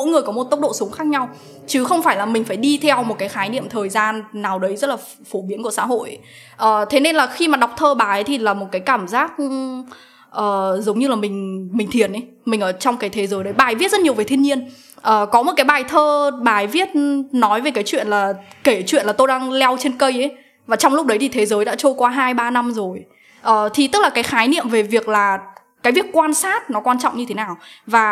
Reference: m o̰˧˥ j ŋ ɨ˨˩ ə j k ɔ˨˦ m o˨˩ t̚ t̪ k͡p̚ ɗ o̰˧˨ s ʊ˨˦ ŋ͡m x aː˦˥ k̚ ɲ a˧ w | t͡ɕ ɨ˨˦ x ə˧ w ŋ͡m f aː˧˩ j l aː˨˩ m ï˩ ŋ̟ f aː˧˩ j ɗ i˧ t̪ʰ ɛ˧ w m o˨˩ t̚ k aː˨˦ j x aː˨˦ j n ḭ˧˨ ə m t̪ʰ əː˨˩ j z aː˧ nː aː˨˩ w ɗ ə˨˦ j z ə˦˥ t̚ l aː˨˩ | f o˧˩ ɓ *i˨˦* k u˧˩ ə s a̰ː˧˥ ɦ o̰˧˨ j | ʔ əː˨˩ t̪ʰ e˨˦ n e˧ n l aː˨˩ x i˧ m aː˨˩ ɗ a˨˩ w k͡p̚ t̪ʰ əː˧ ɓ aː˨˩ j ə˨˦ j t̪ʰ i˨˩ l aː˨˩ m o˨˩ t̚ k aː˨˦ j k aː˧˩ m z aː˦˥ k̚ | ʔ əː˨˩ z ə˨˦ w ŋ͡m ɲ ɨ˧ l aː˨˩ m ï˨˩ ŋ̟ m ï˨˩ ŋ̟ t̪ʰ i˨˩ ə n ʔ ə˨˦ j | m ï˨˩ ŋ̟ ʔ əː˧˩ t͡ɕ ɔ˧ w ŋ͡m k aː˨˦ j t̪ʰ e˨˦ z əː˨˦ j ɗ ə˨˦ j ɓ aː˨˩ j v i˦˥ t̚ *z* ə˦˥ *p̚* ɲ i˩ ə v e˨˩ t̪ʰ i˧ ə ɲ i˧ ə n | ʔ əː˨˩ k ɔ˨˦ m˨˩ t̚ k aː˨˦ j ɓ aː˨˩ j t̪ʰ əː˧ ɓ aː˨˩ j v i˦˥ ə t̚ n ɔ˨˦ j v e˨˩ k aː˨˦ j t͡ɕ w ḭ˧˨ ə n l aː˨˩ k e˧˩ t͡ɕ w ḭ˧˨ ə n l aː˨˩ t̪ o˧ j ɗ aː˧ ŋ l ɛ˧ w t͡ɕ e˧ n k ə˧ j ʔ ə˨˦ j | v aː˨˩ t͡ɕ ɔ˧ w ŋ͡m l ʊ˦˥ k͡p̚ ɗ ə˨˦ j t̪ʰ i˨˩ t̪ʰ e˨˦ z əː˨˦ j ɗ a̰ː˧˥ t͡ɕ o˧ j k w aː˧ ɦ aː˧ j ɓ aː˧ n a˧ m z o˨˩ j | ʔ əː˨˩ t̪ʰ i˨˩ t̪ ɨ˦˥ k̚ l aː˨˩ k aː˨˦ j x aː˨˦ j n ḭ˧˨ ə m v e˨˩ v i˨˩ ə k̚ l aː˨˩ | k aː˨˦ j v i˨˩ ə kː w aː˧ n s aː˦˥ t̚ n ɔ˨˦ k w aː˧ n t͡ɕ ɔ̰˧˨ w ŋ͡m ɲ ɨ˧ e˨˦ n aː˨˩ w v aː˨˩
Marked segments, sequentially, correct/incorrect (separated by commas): correct, correct, incorrect